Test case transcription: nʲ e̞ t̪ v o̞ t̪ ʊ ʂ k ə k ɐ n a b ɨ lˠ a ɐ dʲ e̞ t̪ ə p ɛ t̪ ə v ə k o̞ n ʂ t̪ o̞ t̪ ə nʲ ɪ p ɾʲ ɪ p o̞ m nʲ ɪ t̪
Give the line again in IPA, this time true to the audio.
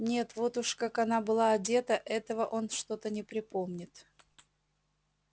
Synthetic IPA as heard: nʲ e̞ t̪ v o̞ t̪ ʊ ʂ k a k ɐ n a b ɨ lˠ a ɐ dʲ e̞ t̪ ə ʔ ɛ t̪ ə v ə ʔ o̞ n ʂ t̪ o̞ t̪ ə nʲ ɪ p ɾʲ ɪ p o̞ m nʲ ɪ t̪